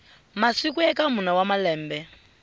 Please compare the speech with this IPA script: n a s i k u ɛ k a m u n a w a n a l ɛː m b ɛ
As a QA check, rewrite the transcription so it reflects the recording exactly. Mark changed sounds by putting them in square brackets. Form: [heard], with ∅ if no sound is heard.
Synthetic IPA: [m] a s i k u ɛ k a m u n a w a [m] a l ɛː m b ɛ